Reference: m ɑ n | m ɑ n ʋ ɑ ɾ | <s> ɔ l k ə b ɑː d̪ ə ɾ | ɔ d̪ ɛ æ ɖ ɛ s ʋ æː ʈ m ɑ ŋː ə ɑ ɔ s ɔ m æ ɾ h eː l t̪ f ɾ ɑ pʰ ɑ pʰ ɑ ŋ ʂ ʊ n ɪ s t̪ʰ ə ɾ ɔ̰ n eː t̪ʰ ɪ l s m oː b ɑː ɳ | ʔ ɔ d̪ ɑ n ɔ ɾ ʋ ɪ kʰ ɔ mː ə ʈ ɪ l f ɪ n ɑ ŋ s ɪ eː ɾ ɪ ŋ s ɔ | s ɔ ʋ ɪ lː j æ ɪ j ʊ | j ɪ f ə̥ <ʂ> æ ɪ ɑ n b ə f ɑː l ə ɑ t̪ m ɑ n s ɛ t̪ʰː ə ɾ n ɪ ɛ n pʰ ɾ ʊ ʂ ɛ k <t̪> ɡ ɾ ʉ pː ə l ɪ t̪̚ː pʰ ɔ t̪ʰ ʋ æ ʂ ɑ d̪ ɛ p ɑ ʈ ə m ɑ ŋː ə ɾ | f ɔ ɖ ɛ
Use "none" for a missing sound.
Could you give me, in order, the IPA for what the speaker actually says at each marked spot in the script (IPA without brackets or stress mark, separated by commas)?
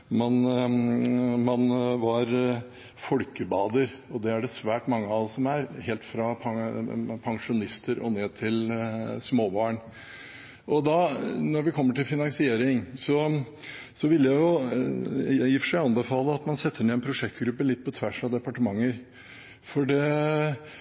f, ʂ, t̪